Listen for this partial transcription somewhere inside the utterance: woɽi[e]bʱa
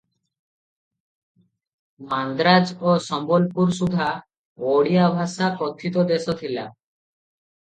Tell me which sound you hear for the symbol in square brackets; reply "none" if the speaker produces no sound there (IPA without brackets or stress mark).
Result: a